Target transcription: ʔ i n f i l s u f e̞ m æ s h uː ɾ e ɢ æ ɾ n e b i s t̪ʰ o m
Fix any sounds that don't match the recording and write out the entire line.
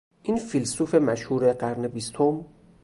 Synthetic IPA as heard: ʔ i n f i l s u f e̞ m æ ʃ h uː ɾ e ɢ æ ɾ n e b i s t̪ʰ o m